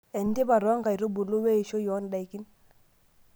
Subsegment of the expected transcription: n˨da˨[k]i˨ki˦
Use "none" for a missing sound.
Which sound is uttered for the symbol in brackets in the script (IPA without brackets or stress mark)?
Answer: none